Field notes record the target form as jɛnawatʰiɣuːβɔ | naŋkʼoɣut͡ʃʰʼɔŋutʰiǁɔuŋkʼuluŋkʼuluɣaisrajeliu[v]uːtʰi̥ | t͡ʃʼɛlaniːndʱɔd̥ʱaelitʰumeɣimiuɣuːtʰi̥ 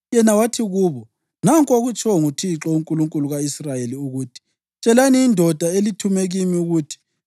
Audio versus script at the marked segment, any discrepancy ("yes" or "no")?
yes